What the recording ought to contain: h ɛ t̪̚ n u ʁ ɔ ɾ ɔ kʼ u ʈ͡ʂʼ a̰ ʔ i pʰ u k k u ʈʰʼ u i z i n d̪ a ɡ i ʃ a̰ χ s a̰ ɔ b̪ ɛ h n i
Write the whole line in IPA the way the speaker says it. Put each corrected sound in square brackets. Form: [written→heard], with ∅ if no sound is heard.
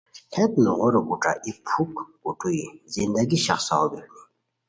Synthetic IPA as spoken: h ɛ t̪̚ n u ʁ ɔ ɾ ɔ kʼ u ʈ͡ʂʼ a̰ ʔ i pʰ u k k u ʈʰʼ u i z i n d̪ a ɡ i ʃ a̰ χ s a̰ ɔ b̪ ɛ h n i